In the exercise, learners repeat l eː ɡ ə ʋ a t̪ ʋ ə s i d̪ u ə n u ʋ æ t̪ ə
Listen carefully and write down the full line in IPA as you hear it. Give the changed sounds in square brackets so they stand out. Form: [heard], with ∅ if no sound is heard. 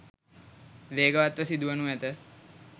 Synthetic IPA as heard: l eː ɡ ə ʋ a t̪ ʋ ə s i d̪ u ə n u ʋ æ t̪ ə